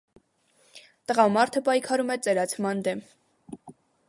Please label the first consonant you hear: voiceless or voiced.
voiceless